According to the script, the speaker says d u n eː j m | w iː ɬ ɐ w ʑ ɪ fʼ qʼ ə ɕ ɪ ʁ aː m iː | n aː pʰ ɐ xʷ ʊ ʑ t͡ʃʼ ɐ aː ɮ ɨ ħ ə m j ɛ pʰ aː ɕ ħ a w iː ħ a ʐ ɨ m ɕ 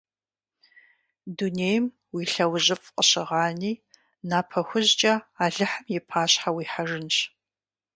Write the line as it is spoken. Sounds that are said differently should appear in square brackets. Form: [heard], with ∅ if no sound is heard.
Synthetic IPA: d u n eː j m | w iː ɬ ɐ w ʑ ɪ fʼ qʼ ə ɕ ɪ ʁ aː [n] iː | n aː pʰ ɐ xʷ ʊ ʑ t͡ʃʼ ɐ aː ɮ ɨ ħ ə m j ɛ pʰ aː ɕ ħ a w iː ħ a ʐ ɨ [n] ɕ